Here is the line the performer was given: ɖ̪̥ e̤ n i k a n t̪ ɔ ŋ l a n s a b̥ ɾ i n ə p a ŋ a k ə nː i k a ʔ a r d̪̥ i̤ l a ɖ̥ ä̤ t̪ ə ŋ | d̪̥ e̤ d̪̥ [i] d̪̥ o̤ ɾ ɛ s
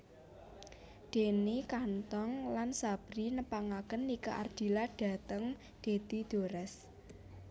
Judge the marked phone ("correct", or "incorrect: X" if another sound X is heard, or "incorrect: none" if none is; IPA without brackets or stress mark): correct